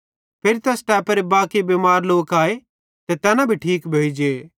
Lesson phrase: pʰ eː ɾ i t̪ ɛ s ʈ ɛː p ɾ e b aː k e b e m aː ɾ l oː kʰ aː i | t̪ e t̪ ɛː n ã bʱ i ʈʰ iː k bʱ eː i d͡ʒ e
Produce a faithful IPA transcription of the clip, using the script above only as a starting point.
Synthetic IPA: pʰ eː ɾ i t̪ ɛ s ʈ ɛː p ɾ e b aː k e b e m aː ɾ l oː k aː e | t̪ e t̪ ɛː n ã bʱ i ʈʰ iː k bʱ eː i d͡ʒ e